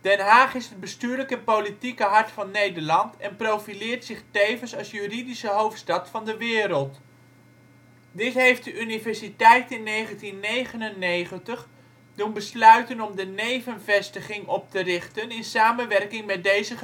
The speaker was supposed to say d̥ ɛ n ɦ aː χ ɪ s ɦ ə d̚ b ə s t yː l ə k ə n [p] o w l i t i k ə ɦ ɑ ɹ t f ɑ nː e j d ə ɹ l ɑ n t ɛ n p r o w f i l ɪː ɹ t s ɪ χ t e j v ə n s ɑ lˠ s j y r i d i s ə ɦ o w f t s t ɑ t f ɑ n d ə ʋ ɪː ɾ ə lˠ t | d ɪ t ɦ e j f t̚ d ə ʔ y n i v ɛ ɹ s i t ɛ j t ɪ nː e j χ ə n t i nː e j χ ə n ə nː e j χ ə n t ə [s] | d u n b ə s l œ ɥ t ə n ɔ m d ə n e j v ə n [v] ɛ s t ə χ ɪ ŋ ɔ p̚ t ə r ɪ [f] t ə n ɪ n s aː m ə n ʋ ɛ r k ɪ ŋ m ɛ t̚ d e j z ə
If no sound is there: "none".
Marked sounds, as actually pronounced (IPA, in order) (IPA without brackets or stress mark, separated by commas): p, χ, v, χ